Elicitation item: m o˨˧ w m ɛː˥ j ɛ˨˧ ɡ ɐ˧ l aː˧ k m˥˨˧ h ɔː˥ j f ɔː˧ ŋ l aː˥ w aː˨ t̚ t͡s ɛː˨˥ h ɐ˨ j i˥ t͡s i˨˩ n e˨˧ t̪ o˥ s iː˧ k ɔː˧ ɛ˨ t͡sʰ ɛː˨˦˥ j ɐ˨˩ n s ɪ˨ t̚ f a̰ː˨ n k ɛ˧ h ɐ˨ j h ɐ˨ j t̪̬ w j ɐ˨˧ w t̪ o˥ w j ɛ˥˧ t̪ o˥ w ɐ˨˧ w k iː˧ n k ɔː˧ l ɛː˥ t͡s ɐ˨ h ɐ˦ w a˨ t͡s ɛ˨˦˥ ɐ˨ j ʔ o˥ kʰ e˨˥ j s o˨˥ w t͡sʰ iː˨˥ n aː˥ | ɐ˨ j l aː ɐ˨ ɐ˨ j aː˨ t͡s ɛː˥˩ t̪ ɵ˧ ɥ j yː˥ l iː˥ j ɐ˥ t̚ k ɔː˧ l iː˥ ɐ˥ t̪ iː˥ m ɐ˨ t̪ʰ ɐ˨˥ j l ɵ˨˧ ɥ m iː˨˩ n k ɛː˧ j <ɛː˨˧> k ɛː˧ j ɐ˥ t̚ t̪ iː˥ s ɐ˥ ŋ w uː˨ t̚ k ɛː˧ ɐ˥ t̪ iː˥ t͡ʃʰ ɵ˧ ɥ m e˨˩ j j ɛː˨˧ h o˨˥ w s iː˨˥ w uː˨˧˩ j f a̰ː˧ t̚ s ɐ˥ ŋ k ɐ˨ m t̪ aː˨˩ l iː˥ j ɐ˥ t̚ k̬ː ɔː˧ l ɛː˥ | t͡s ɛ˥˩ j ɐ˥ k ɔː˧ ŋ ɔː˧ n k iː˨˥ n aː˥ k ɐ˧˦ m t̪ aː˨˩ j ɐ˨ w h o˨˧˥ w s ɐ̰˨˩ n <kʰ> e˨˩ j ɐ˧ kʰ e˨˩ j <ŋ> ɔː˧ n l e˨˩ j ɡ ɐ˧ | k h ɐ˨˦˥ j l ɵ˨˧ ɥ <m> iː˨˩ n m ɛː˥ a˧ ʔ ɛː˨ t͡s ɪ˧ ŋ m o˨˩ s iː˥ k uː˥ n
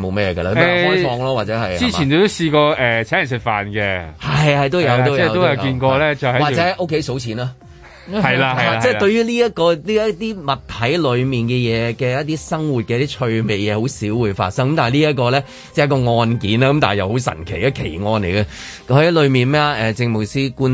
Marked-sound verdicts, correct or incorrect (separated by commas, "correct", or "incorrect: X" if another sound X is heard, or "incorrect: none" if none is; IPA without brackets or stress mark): correct, correct, correct, correct